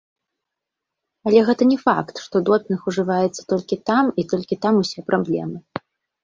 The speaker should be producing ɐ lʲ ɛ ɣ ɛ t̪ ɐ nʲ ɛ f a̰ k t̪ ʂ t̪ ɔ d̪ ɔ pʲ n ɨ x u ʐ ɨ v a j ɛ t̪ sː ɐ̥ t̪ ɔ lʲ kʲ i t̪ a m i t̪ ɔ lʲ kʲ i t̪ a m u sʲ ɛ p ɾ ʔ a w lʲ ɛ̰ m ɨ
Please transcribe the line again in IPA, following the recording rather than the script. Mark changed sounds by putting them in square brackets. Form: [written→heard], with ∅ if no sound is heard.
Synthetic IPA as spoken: ɐ lʲ ɛ ɣ ɛ t̪ ɐ nʲ ɛ f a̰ k t̪ ʂ t̪ ɔ d̪ ɔ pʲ n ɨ x u ʐ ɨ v a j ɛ t̪ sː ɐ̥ t̪ ɔ lʲ kʲ i t̪ a m i t̪ ɔ lʲ kʲ i t̪ a m u sʲ ɛ p ɾ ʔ a [w→b] lʲ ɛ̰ m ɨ